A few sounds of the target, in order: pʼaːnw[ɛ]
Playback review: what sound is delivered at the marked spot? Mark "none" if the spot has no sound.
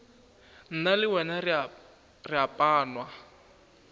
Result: a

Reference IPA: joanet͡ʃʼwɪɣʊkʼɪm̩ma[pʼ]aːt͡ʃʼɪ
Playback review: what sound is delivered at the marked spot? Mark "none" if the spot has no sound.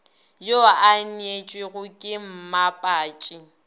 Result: pʼ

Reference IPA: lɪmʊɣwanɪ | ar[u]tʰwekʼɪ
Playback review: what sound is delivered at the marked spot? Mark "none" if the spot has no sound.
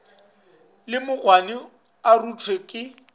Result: u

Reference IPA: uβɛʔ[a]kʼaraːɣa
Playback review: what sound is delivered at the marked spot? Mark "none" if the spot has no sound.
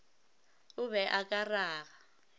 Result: a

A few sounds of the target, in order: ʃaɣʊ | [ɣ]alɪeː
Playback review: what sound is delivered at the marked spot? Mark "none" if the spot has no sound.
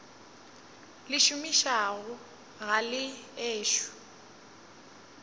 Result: ɣ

